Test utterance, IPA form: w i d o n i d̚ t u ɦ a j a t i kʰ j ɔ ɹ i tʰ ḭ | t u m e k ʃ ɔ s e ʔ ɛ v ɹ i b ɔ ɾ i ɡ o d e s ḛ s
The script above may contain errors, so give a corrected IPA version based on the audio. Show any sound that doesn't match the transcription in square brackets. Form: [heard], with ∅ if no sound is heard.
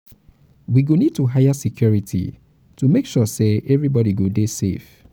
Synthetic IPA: w i [ɡ] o n i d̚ t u ɦ a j a [s] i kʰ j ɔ ɹ i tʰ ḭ | t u m e k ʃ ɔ s e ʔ ɛ v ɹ i b ɔ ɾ i ɡ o d e s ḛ [f]